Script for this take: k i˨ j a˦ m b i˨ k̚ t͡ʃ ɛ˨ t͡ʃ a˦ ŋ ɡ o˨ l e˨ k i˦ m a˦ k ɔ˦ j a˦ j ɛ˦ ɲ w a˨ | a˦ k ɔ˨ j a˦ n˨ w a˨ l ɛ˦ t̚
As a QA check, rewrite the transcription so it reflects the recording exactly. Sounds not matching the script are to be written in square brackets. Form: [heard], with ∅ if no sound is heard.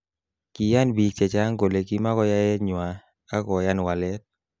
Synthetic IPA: k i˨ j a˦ [n] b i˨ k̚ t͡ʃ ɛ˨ t͡ʃ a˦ ŋ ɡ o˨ l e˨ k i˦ m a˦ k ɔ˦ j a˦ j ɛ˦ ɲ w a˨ | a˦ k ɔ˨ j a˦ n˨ w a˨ l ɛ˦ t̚